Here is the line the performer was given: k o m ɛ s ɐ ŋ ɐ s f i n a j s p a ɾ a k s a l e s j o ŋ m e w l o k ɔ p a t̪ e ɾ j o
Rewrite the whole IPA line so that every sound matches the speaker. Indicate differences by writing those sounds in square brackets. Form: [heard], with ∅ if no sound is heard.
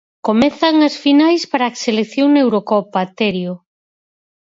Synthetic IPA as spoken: k o m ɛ [θ] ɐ ŋ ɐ s f i n a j s p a ɾ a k s [e] l e [θ] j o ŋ [n] e w [ɾ] o k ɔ p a t̪ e ɾ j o